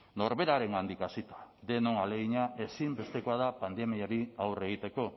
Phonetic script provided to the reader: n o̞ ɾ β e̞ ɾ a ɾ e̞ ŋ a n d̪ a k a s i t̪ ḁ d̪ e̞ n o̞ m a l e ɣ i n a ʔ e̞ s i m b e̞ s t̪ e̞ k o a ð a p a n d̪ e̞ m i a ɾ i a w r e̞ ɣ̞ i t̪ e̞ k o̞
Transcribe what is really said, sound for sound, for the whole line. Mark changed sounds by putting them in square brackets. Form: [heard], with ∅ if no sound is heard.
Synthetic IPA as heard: n o̞ ɾ β e̞ ɾ a ɾ e̞ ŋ a n d̪ [i] k a s i t̪ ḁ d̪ e̞ n o̞ [ŋ] a l e ɣ i [ɲ] a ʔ e̞ s i m b e̞ s t̪ e̞ k o a ð a p a n d̪ e̞ m i a ɾ i a w r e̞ ɣ̞ i t̪ e̞ k o̞

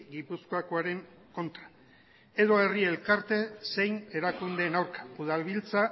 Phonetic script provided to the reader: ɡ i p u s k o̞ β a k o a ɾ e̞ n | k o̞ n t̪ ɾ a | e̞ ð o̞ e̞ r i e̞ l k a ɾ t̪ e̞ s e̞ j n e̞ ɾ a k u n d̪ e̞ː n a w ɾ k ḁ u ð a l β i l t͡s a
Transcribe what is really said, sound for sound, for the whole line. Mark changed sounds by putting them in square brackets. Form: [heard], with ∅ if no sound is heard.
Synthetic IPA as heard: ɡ i p u s k o̞ [∅] a k o a ɾ e̞ [ŋ] | k o̞ n t̪ ɾ a | e̞ ð o̞ e̞ r i e̞ l k a ɾ t̪ e̞ s e̞ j n e̞ ɾ a k u n d̪ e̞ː n a w ɾ k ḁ u ð a l β i l t͡s a

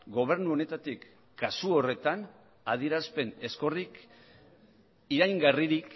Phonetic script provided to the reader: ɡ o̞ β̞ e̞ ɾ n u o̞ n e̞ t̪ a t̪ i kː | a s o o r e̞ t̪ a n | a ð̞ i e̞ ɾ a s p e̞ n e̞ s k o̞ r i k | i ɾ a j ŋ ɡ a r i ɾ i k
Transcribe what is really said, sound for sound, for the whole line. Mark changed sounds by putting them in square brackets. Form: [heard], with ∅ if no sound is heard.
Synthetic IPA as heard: ɡ o̞ β̞ e̞ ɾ n u o̞ n e̞ t̪ a t̪ i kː | a s [u] o r e̞ t̪ a n | a ð̞ i e̞ ɾ a s p e̞ n e̞ s k o̞ r i k | i ɾ a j ŋ ɡ a r i ɾ i k

